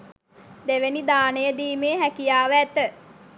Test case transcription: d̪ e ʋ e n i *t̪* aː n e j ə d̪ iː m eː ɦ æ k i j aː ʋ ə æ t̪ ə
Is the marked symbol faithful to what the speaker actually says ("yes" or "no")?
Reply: no